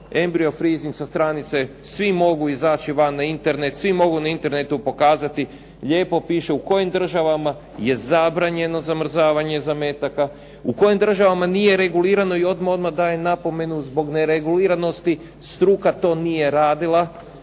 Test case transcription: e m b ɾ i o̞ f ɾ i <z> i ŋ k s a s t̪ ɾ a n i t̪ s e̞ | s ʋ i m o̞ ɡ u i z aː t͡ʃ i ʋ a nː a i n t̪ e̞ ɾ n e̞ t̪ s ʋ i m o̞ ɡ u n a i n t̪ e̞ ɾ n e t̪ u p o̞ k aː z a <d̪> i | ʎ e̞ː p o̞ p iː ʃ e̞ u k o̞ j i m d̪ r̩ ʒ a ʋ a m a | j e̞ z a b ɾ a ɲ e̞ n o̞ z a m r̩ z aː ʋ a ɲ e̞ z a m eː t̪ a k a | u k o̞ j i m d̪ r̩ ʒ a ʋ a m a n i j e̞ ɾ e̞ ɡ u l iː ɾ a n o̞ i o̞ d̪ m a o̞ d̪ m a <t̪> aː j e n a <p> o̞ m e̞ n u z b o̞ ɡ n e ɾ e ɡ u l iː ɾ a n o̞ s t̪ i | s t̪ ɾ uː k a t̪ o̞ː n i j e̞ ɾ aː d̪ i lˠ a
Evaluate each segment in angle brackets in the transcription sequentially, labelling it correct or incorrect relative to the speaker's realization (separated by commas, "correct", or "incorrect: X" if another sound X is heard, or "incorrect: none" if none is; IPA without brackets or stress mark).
correct, incorrect: t̪, incorrect: d̪, correct